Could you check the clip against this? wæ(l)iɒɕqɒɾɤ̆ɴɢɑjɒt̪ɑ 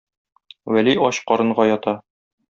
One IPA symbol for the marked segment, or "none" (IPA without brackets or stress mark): l